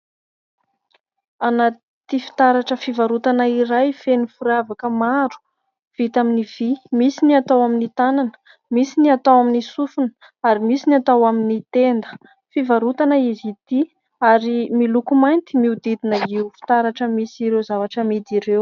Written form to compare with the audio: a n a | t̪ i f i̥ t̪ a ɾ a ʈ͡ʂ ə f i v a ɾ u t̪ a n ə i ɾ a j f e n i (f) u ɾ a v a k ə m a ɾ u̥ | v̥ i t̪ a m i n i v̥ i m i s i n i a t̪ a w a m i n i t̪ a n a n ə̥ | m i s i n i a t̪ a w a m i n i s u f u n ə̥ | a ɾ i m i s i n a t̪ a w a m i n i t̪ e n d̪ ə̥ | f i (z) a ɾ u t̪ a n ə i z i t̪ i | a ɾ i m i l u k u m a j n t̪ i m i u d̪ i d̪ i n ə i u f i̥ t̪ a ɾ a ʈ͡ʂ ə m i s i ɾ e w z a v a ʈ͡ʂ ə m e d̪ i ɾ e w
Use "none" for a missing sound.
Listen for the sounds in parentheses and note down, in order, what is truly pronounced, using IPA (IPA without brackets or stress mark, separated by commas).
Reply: f, v